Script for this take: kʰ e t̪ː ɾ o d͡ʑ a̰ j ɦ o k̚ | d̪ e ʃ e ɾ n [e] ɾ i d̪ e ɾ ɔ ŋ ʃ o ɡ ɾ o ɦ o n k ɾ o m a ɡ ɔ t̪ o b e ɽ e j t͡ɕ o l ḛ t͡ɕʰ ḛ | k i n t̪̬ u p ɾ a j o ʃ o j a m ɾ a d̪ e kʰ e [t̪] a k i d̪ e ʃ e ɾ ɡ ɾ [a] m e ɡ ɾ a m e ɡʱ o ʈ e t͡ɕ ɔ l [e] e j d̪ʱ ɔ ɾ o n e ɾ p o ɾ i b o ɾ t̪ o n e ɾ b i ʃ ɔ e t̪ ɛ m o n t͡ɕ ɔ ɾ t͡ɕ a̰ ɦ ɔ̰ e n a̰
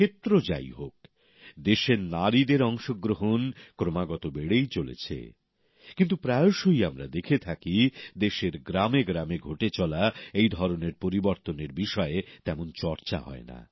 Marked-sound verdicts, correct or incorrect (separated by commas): incorrect, incorrect, correct, incorrect